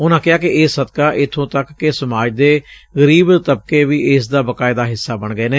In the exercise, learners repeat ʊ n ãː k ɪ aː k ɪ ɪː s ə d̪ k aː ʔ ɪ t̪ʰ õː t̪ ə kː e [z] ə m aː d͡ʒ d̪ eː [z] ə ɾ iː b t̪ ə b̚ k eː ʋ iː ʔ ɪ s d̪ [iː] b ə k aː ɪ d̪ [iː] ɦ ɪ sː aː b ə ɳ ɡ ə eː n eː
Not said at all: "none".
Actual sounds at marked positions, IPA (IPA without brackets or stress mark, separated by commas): s, ɣ, aː, aː